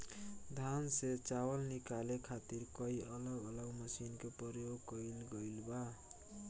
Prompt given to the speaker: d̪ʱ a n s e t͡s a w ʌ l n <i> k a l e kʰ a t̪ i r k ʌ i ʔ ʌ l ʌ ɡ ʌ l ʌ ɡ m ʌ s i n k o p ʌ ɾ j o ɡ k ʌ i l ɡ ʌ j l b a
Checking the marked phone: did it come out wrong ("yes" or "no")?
no